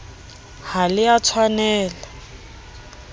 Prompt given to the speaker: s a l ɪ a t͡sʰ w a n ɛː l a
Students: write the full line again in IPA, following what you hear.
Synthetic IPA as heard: h a l ɪ a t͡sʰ w a n ɛː l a

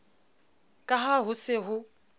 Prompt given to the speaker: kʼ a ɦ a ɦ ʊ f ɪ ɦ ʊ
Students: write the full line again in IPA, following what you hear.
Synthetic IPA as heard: kʼ a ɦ a ɦ ʊ s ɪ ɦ ʊ

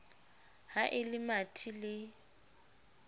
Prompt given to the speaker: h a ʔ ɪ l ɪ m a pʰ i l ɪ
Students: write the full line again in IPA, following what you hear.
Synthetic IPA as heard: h a ʔ ɪ l ɪ m a tʰ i l ɪ

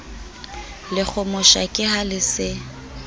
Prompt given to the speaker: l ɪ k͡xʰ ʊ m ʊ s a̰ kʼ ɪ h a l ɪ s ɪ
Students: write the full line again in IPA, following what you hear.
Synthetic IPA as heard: l ɪ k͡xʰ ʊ m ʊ ʃ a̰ kʼ ɪ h a l ɪ s ɪ

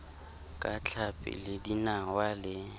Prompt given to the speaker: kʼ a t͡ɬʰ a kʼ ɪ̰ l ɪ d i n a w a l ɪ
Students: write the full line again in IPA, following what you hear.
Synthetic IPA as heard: kʼ a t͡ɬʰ a pʼ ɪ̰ l ɪ d i n a w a l ɪ

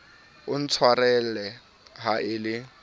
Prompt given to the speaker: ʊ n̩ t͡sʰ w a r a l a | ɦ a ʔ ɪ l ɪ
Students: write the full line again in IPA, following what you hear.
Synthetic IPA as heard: ʊ n̩ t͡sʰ w a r ɛ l ɛ | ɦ a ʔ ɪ l ɪ

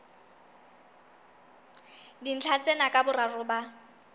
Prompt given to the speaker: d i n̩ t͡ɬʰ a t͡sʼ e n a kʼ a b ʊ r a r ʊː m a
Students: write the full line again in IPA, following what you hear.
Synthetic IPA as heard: d i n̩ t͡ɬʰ a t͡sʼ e n a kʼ a b ʊ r a r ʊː b a

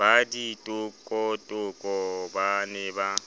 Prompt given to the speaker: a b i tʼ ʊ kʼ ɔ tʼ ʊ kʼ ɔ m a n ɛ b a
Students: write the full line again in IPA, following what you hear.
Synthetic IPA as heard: a d i tʼ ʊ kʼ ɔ tʼ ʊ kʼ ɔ b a n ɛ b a

